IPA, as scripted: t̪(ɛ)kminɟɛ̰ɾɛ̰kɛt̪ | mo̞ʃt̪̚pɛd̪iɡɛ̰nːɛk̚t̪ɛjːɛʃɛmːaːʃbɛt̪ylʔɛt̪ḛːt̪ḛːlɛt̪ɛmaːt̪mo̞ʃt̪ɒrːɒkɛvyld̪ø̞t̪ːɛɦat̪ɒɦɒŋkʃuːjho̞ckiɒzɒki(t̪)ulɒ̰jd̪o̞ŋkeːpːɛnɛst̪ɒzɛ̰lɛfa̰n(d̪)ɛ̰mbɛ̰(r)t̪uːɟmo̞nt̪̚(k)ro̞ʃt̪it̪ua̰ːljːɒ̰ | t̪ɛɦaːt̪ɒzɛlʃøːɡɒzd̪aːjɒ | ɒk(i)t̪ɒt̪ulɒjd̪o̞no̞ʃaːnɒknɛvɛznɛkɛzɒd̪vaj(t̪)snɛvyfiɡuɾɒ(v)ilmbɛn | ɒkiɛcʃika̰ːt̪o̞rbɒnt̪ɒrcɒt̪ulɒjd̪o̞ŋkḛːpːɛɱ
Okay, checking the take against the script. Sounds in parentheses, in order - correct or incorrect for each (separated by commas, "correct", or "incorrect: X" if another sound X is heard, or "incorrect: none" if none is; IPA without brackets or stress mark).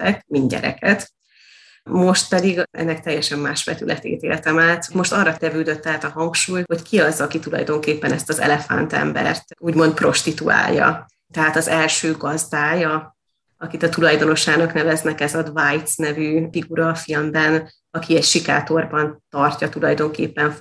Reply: correct, correct, incorrect: t̪, correct, incorrect: p, correct, correct, incorrect: f